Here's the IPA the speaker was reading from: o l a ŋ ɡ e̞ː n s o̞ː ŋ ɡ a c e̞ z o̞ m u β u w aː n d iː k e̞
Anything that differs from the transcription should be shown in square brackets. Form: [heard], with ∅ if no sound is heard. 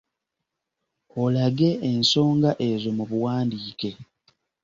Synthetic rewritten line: o l a [∅] ɡ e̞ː n s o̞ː ŋ ɡ a [ʔ] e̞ z o̞ m u β u w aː n d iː k e̞